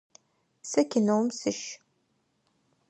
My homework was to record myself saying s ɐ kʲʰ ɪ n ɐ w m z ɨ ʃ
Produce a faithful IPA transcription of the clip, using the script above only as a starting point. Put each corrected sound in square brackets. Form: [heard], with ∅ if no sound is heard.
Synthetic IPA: s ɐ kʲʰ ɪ n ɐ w m [s] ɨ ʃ